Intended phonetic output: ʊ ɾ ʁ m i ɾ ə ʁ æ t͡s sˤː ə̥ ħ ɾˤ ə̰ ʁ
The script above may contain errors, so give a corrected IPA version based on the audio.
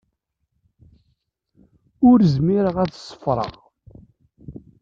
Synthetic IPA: ʊ ɾ z m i ɾ ə ʁ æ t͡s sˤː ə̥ f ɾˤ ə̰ ʁ